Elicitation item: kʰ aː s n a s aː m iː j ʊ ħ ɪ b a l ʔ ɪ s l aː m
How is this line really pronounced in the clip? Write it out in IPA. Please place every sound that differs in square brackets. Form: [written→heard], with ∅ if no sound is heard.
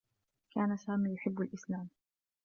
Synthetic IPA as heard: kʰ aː [s→∅] n a s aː m iː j ʊ ħ ɪ [b→bː] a l ʔ ɪ s l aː m